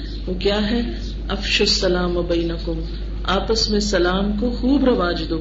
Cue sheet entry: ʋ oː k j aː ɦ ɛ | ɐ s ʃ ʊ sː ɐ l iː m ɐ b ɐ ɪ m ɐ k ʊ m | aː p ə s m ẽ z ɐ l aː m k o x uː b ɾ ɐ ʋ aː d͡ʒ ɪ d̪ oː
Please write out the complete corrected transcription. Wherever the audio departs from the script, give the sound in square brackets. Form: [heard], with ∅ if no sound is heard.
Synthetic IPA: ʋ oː k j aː ɦ ɛ | ɐ [f] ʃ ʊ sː ɐ l [aː] m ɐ b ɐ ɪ [n] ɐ k ʊ m | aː p ə s m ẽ [s] ɐ l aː m k o x uː b ɾ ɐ ʋ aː d͡ʒ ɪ d̪ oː